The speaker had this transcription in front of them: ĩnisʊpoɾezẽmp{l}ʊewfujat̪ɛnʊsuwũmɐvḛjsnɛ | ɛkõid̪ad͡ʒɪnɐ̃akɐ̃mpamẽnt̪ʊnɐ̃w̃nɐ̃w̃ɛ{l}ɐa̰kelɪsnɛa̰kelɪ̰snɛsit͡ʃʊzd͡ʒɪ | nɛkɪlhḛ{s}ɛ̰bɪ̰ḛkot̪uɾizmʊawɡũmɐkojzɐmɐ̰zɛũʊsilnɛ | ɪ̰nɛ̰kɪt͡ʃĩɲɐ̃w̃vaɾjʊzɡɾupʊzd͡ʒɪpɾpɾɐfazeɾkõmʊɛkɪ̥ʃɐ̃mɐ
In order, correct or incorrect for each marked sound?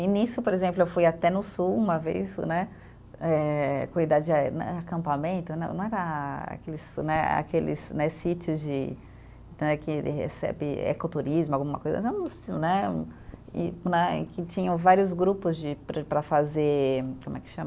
correct, incorrect: ɾ, correct

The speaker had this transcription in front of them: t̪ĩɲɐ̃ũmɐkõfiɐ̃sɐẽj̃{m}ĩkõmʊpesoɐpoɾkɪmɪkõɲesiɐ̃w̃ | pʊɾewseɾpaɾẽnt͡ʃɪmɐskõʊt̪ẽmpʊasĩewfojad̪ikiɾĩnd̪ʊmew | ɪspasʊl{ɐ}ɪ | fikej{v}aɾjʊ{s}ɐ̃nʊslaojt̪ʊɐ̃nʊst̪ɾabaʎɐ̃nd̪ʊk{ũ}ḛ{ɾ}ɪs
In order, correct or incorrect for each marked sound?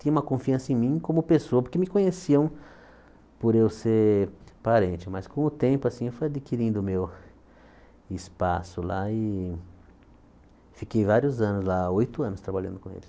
correct, incorrect: a, correct, incorrect: z, incorrect: õ, incorrect: l

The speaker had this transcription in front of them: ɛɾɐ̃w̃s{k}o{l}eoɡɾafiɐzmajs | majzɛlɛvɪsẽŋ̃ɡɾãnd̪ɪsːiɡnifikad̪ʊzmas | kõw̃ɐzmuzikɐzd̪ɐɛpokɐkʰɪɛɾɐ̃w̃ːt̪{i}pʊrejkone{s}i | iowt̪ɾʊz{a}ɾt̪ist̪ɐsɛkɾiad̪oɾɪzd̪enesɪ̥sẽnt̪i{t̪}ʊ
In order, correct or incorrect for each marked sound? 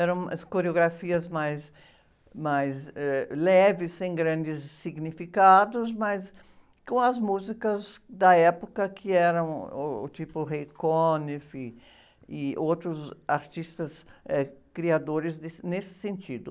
correct, incorrect: ɾ, correct, incorrect: f, correct, incorrect: d̪

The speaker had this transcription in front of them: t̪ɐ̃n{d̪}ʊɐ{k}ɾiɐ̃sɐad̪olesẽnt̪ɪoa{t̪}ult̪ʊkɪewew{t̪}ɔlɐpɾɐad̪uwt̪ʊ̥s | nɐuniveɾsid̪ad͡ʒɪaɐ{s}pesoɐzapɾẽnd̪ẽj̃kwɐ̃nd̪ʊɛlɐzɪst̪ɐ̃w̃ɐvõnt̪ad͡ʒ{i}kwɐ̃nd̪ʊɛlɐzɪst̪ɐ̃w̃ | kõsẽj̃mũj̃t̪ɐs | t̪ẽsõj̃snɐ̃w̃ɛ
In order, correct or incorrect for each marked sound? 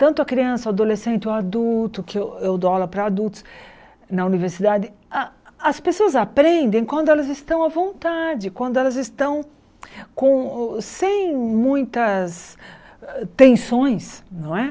incorrect: t̪, correct, incorrect: d̪, incorrect: d̪, correct, incorrect: ɪ

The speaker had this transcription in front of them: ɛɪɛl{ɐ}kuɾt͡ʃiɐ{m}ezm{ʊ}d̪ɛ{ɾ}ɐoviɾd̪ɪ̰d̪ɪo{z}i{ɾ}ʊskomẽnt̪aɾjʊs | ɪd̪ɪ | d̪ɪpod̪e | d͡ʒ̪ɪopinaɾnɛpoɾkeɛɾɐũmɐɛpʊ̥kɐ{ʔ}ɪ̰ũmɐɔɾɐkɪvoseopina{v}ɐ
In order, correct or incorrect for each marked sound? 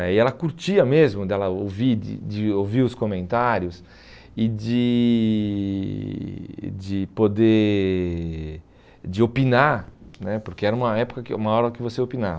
correct, correct, correct, incorrect: l, incorrect: v, correct, incorrect: k, correct

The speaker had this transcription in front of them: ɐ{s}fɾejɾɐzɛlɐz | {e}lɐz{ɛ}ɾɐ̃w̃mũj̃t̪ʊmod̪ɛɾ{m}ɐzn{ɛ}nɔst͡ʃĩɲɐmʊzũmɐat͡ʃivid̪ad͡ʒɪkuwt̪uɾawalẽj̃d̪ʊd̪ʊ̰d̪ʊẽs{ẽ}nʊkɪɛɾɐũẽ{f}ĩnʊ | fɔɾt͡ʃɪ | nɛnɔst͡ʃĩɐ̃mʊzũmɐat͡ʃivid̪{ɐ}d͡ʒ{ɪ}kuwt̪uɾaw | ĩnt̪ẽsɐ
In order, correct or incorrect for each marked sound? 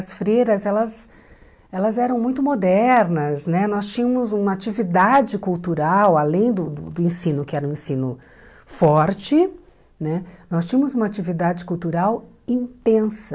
correct, incorrect: ɛ, correct, incorrect: n, correct, incorrect: ĩ, incorrect: s, incorrect: a, correct

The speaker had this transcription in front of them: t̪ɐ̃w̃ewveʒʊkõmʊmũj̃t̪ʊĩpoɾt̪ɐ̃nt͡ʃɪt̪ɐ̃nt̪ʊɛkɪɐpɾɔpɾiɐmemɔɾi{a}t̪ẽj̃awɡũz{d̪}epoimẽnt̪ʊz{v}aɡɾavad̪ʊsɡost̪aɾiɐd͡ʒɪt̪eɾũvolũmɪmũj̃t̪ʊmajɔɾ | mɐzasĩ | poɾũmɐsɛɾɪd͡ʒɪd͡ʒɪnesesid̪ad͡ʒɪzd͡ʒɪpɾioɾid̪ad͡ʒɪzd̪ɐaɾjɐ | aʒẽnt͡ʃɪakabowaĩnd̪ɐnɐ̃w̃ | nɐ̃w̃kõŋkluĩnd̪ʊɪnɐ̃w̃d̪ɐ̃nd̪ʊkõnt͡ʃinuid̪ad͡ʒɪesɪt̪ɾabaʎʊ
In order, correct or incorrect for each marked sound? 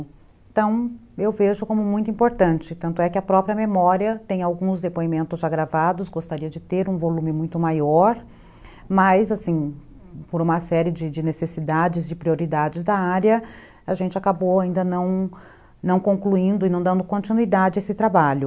incorrect: ɐ, correct, incorrect: ʒ

